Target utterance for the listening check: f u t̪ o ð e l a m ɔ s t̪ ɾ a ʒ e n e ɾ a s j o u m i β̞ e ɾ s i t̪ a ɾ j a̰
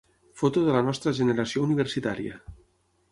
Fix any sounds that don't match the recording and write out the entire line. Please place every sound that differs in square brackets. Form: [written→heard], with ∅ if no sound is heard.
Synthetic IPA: f [u→o] t̪ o ð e l a [m→n] ɔ s t̪ ɾ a ʒ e n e ɾ a s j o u [m→n] i β̞ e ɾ s i t̪ a ɾ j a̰